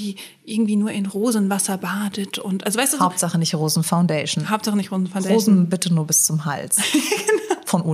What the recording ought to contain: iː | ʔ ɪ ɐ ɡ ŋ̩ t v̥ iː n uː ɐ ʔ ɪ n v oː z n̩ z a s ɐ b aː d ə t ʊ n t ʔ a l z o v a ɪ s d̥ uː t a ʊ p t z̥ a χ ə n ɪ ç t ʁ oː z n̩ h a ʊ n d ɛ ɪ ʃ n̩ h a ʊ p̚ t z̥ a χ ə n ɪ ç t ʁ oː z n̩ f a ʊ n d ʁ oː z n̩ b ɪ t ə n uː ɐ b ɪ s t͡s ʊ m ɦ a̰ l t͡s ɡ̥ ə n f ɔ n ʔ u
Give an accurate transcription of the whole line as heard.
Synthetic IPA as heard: iː | ʔ ɪ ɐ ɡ ŋ̩ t v̥ iː n uː ɐ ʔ ɪ n ʁ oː z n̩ v a s ɐ b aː d ə t ʊ n t ʔ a l z o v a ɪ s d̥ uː a ʊ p t z̥ a χ ə n ɪ ç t ʁ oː z n̩ f a ʊ n d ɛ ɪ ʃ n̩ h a ʊ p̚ t z̥ a χ ə n ɪ ç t ʁ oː z n̩ f a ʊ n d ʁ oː z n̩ b ɪ t ə n uː ɐ b ɪ s t͡s ʊ m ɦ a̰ l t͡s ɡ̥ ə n f ɔ n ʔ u